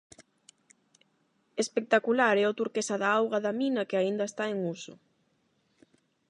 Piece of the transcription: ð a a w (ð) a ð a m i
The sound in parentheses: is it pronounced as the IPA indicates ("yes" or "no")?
no